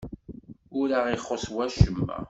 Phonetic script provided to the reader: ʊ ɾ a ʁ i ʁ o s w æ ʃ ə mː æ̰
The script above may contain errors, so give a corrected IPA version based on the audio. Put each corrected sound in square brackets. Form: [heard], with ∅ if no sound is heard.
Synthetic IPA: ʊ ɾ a ʁ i [χ] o s w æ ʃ ə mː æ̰